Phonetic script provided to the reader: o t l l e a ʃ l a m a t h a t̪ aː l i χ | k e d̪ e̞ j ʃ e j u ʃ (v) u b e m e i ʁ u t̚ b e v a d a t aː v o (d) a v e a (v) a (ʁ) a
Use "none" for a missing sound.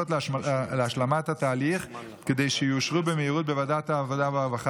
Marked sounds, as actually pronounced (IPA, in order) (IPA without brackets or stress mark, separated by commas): ʁ, d, v, χ